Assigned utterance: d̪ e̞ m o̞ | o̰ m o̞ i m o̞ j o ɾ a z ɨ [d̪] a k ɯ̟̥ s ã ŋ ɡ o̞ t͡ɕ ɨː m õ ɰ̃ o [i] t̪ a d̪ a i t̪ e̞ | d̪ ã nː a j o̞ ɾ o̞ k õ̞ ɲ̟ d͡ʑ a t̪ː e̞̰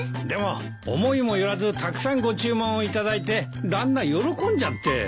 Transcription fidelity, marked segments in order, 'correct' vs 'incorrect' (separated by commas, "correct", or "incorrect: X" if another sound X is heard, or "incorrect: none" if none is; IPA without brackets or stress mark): incorrect: t̪, correct